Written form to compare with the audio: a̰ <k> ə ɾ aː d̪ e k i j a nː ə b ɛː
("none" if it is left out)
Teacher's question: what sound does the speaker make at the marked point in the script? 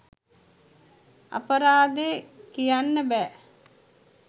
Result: p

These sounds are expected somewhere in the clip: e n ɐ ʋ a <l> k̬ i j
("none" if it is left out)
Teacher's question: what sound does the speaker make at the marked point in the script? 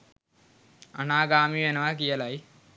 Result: none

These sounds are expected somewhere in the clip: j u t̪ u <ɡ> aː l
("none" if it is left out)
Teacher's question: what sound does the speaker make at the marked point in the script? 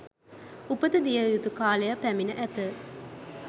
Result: k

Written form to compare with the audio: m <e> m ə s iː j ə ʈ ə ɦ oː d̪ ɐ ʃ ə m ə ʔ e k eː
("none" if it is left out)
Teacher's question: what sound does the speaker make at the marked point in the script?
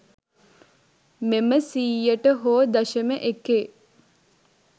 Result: e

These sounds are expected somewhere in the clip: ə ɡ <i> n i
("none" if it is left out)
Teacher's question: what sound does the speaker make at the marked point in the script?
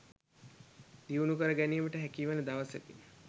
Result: æ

